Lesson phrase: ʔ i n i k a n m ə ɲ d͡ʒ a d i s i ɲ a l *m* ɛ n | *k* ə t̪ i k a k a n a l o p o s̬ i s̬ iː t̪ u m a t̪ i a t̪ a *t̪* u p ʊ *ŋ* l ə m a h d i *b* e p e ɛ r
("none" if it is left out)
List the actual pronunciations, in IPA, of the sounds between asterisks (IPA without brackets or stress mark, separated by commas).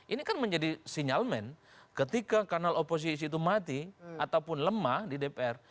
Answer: m, k, none, n, d